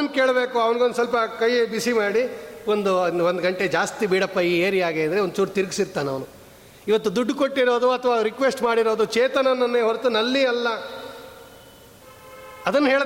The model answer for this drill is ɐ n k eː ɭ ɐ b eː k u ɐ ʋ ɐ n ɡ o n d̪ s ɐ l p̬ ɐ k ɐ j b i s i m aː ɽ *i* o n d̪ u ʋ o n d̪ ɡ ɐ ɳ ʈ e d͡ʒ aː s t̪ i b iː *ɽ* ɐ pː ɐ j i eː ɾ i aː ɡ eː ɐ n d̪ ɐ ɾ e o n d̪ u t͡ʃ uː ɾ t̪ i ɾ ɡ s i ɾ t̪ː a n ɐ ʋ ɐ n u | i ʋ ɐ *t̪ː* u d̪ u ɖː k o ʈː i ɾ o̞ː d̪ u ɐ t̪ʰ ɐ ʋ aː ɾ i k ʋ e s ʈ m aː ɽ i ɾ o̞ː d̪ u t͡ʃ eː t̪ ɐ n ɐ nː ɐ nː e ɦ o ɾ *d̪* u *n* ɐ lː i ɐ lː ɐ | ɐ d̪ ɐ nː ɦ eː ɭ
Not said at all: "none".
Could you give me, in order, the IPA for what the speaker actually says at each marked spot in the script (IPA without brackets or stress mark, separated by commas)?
i, ɽ, t̪ː, t̪, n